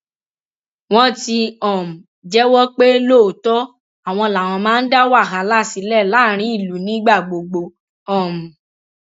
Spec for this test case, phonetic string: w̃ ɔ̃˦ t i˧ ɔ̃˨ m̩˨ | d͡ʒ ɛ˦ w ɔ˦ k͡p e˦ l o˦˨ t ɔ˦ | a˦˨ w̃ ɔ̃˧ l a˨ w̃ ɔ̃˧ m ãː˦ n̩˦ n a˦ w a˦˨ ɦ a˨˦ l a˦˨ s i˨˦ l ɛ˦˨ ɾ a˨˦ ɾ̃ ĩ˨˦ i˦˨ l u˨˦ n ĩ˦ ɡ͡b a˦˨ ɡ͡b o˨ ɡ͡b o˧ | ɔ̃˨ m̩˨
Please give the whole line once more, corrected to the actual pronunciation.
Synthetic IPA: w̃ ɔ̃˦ t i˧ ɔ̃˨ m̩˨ | d͡ʒ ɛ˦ w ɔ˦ k͡p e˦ l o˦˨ t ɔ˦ | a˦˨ w̃ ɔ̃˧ l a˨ w̃ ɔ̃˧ m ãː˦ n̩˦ d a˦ w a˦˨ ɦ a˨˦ l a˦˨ s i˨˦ l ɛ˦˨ l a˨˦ ɾ̃ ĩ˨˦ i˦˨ l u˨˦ n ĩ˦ ɡ͡b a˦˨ ɡ͡b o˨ ɡ͡b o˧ | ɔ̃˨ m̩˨